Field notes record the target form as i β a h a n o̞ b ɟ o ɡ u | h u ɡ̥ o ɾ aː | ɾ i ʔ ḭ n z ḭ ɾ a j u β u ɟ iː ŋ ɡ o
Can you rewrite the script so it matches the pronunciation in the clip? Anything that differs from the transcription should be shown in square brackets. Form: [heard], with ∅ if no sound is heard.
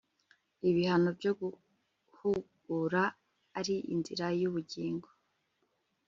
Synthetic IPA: i β [i] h a n o̞ b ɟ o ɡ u | h u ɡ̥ [u] ɾ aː | ɾ i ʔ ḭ n z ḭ ɾ a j u β u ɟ iː ŋ ɡ o